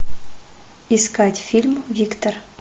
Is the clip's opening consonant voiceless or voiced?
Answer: voiceless